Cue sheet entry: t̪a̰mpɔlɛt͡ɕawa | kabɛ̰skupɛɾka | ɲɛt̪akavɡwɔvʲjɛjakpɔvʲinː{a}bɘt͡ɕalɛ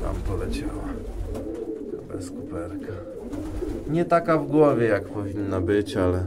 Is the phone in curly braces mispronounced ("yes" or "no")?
no